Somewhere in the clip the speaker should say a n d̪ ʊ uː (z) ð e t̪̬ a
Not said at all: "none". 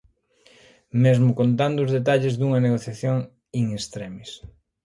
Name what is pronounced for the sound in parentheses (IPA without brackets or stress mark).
z